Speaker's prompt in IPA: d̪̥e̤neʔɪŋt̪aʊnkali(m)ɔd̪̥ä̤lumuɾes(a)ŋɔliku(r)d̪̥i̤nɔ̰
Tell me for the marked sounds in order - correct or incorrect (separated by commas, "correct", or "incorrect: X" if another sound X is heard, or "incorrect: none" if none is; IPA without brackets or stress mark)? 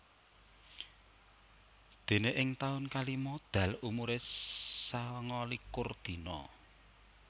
correct, correct, correct